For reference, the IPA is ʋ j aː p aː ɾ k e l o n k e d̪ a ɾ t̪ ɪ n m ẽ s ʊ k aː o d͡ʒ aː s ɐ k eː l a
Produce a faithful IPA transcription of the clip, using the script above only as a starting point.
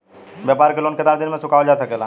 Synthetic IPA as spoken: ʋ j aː p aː ɾ k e l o n k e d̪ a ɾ d̪ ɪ n m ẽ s ʊ k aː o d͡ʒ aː s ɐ k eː l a